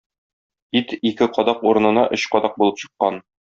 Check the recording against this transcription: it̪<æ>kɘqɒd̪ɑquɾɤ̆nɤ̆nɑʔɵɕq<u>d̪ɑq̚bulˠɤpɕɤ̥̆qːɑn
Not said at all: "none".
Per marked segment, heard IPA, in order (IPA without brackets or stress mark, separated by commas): i, ɒ